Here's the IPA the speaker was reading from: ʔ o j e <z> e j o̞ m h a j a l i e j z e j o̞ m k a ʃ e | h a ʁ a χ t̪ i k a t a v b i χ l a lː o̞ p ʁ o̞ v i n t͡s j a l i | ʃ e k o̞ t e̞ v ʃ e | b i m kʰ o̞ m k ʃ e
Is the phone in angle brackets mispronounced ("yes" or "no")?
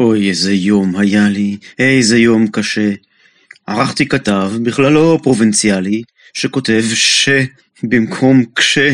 no